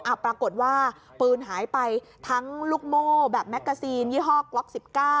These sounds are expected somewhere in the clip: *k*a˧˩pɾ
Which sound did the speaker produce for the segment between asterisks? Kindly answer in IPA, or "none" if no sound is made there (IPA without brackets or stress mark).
ʔ